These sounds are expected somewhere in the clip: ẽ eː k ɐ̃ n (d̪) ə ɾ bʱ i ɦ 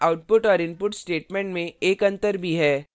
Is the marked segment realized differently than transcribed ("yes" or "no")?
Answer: yes